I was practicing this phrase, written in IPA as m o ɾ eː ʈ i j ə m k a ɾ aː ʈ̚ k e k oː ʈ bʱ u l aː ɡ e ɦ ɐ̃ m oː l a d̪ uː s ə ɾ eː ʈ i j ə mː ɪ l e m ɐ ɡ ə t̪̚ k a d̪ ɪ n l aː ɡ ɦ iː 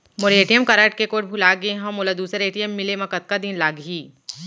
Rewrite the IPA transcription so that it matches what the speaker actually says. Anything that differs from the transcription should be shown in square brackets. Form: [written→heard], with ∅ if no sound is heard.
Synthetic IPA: m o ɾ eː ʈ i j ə m k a ɾ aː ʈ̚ k e k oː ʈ bʱ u l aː ɡ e ɦ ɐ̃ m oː l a d̪ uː s ə ɾ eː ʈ i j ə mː ɪ l e m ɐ [ɡ→k] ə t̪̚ k a d̪ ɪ n l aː ɡ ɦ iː

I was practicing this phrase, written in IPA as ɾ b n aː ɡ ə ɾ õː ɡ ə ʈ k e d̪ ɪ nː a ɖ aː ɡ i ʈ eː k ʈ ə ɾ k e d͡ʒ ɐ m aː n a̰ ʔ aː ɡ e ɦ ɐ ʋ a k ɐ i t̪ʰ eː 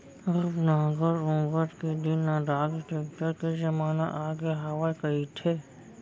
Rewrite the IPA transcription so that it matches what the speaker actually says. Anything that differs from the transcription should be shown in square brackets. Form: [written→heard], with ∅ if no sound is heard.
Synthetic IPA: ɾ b n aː ɡ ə ɾ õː ɡ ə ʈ k e d̪ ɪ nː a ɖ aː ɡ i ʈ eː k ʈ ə ɾ k e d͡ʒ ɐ m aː n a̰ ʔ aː ɡ e ɦ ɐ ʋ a k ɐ i t̪ʰ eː

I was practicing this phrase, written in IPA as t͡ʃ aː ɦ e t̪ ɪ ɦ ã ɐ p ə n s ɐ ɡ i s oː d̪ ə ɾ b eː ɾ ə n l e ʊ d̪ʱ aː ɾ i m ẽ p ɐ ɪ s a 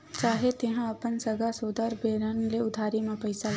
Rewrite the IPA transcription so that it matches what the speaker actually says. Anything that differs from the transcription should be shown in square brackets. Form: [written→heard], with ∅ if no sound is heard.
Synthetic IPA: t͡ʃ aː ɦ e t̪ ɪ ɦ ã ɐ p ə n s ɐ ɡ [i→a] s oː d̪ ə ɾ b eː ɾ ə n l e ʊ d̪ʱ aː ɾ i m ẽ p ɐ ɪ s a

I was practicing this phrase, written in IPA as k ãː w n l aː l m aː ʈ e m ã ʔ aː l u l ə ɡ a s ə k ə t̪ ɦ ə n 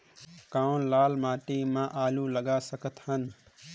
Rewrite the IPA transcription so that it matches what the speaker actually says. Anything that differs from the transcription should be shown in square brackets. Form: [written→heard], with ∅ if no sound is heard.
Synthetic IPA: k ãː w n l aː l m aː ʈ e m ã ʔ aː l u l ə ɡ a s ə k ə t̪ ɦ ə n

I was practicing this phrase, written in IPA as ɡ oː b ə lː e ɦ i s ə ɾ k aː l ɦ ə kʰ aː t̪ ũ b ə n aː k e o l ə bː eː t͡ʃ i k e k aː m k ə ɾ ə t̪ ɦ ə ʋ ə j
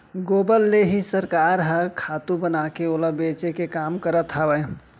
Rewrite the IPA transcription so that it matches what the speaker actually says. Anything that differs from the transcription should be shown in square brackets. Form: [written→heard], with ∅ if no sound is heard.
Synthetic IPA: ɡ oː b ə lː e ɦ i s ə ɾ k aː [l→ɾ] ɦ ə kʰ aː t̪ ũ b ə n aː k e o l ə [bː→b] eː t͡ʃ [i→e] k e k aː m k ə ɾ ə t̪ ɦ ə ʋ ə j

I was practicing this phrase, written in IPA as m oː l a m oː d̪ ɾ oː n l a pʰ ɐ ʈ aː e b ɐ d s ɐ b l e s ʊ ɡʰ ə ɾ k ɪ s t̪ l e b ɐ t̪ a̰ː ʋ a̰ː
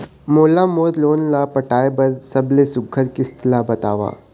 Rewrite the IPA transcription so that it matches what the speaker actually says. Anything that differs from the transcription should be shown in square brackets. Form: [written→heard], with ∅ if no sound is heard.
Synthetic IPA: m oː l a m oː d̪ [ɾ→l] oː n l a [pʰ→p] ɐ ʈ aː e b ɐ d s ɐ b l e s ʊ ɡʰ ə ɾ k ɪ s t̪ l [e→a] b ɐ t̪ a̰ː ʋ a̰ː

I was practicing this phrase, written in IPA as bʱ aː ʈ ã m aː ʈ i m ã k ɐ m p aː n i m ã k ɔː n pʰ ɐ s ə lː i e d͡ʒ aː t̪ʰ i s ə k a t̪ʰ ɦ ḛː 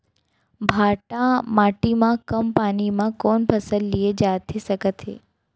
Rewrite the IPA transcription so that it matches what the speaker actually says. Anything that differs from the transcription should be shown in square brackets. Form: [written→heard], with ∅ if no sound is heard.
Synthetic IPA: bʱ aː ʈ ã m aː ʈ i m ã k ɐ m p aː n i m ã k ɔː n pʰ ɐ s ə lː i e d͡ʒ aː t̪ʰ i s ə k [a→ə] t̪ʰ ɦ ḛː

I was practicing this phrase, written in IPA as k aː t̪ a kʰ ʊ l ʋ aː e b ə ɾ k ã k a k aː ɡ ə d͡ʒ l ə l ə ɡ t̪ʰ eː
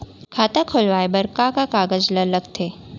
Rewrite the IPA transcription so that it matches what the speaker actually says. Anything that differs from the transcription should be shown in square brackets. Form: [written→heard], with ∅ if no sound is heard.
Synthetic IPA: [k→kʰ] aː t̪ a kʰ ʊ l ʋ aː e b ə ɾ k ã k a k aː ɡ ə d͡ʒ l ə l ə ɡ t̪ʰ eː

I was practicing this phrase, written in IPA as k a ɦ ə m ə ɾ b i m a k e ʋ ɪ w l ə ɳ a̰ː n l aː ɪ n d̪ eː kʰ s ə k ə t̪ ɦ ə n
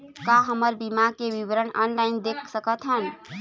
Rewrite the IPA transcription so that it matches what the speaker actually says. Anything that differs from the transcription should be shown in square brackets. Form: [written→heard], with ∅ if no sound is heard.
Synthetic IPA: k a ɦ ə m ə ɾ b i m a k e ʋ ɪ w [l→ɾ] ə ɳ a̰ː n l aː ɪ n d̪ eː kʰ s ə k ə t̪ ɦ ə n

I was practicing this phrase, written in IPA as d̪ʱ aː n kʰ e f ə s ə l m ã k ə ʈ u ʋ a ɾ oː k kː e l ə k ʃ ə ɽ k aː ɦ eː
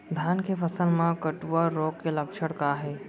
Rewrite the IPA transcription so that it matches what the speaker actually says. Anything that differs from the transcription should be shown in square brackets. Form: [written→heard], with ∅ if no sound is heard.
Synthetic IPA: d̪ʱ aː n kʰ e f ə s ə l m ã k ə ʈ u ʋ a ɾ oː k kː e l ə k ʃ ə ɽ k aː ɦ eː

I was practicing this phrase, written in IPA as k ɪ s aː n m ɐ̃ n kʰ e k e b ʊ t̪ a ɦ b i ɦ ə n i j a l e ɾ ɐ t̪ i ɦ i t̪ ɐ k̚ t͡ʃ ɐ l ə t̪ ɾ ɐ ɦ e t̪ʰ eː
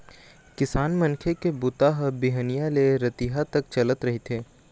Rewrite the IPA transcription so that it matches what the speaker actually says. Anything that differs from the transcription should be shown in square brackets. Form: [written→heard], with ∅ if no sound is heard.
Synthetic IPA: k ɪ s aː n m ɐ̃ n kʰ e k e b ʊ t̪ a ɦ b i ɦ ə n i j a l e ɾ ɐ t̪ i ɦ [i→a] t̪ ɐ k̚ t͡ʃ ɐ l ə t̪ ɾ ɐ ɦ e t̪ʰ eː

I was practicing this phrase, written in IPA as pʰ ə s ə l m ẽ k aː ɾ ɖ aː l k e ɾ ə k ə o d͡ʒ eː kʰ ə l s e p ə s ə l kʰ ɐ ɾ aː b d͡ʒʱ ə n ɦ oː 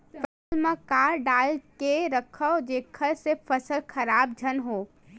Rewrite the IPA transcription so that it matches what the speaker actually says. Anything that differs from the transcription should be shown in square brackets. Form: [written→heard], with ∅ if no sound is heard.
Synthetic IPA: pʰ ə s ə l m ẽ k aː ɾ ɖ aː l k e ɾ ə [k→kʰ] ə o d͡ʒ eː kʰ ə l s e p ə s ə l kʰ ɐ ɾ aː b d͡ʒʱ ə n ɦ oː

